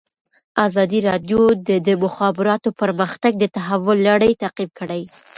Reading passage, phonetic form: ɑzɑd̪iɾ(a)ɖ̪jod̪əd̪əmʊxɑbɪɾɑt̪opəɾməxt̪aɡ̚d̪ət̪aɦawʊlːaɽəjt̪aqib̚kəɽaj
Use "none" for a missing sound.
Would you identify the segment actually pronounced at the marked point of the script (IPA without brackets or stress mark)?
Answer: ɑ